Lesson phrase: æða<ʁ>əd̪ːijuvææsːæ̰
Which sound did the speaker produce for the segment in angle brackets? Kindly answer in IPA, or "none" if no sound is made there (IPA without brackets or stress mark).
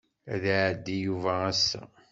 ʕ